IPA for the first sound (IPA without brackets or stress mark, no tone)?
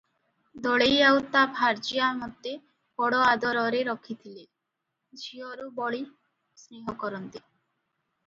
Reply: d̪